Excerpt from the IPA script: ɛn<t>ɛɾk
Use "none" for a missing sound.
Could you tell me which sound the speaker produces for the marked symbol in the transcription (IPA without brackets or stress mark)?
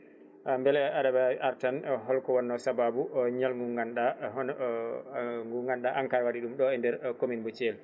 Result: d